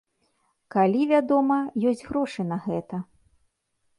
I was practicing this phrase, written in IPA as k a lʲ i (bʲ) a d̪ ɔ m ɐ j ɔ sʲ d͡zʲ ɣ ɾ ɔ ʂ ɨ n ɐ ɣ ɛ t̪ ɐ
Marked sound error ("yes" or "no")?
yes